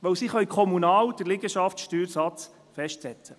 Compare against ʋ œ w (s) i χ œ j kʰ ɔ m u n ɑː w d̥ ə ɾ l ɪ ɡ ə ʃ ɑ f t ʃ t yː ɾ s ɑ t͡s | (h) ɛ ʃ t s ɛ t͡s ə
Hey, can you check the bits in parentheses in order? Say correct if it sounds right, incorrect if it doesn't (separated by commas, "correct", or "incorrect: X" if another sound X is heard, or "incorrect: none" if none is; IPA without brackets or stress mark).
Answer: correct, incorrect: f